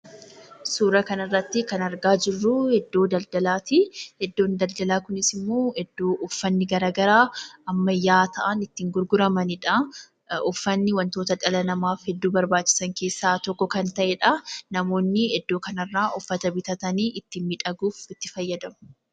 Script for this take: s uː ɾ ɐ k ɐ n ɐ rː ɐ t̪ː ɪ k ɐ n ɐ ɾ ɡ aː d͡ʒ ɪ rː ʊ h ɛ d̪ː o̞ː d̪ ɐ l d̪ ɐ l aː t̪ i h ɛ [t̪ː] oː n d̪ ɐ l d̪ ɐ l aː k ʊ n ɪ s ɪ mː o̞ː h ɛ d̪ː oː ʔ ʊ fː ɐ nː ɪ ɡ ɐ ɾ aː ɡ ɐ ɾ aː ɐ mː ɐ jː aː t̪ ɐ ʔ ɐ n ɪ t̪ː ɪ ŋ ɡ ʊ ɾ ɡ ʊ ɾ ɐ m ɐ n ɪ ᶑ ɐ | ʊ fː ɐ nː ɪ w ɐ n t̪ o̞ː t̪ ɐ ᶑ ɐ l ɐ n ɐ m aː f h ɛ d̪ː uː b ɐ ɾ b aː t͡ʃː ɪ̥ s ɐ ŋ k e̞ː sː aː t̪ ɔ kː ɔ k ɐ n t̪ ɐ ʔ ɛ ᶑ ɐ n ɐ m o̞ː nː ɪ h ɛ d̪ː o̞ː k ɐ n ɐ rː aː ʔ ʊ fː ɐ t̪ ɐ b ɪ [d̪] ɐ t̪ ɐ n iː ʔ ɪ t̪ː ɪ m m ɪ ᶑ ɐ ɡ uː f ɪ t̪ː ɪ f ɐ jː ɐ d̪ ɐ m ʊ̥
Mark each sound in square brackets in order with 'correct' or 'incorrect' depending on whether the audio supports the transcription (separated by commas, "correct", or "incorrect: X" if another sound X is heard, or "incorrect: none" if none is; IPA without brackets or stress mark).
incorrect: d̪ː, incorrect: t̪